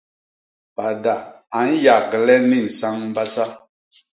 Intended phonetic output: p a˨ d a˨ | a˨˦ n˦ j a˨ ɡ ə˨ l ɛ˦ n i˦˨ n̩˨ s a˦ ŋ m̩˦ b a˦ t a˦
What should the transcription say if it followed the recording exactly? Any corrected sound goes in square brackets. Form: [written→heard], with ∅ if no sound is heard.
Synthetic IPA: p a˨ d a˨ | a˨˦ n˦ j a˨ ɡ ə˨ l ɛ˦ n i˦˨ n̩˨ s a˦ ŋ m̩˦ b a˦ [t→s] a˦